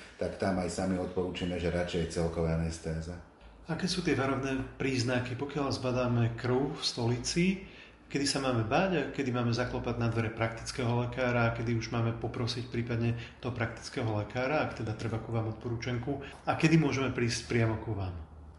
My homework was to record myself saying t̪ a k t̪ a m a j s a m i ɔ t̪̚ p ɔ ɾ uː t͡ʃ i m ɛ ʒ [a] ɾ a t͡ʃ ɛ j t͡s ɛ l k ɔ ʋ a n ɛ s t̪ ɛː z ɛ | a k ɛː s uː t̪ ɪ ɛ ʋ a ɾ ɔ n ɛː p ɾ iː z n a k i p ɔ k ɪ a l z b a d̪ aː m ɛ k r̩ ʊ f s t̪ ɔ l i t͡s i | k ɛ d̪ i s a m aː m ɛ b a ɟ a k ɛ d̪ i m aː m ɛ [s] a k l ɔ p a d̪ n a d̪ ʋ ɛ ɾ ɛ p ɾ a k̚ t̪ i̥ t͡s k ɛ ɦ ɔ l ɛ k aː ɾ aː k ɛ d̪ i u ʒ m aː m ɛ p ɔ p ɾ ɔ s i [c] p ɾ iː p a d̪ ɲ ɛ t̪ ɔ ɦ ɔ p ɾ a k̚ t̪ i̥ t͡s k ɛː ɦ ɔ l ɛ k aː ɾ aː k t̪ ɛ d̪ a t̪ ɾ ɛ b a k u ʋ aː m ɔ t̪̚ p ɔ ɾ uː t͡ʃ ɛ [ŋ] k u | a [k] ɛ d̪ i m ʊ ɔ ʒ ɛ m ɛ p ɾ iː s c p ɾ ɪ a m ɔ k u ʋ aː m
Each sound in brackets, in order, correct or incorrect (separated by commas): incorrect, incorrect, correct, correct, correct